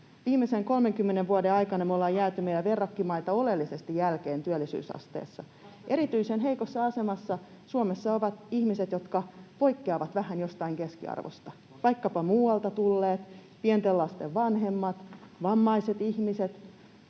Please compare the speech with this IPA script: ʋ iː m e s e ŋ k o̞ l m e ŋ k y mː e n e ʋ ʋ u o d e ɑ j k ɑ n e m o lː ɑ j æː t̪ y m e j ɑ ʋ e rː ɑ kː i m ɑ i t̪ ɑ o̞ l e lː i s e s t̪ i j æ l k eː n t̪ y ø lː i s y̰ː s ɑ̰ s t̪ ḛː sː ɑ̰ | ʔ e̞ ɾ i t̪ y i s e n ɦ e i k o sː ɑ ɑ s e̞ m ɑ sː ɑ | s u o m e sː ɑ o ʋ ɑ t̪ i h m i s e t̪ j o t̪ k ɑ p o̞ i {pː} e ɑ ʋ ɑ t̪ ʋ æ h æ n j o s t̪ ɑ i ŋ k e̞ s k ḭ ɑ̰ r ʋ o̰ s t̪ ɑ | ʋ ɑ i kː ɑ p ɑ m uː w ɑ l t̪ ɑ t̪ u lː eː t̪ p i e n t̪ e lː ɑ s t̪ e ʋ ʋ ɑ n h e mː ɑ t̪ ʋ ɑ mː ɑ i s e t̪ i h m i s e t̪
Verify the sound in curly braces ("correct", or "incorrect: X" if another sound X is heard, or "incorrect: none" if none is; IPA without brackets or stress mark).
incorrect: kː